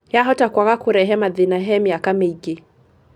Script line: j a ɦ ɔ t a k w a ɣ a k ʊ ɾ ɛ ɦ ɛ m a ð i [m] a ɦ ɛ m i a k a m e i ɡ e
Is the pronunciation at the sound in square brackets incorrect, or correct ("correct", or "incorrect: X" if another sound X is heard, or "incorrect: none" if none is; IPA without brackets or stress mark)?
incorrect: n